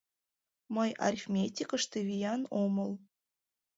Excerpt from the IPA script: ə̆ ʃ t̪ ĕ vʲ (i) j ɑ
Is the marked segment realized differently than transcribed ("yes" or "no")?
no